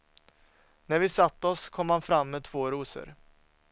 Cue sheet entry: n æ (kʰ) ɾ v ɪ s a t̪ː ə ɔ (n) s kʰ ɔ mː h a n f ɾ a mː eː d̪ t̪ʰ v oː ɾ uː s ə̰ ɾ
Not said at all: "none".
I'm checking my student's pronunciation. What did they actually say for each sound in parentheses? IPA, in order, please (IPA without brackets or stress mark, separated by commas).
none, none